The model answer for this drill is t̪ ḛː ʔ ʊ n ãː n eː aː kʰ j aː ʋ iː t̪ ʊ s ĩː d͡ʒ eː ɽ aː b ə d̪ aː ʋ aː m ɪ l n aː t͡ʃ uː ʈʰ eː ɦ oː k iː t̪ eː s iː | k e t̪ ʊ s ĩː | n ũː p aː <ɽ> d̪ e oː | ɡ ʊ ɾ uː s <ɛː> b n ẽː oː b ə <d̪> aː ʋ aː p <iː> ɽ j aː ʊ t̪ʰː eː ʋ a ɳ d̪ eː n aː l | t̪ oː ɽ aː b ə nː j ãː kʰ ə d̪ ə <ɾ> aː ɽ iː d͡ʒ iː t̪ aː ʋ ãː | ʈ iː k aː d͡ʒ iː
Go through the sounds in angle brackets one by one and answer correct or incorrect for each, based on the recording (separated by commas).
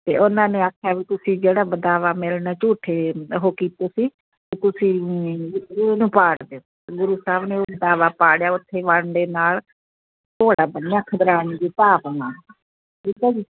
correct, incorrect, correct, incorrect, correct